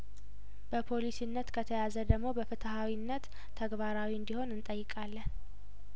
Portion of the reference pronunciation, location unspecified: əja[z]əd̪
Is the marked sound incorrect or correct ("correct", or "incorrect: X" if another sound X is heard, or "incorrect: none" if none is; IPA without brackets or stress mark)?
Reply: correct